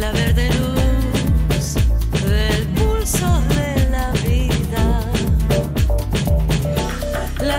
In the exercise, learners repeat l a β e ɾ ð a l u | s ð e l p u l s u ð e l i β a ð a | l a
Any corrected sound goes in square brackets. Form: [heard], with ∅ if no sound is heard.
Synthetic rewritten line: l a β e ɾ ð [e] l u | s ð e l p u l s [o] ð e l [a] β [i] ð a | l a